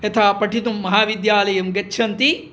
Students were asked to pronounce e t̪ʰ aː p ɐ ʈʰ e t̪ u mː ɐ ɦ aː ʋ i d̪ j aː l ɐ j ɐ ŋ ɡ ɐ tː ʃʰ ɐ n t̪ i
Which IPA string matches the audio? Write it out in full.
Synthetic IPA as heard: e t̪ʰ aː p ɐ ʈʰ i t̪ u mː ɐ ɦ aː ʋ i d̪ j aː l ɐ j ɐ m ɡ ɐ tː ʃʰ ɐ n t̪ i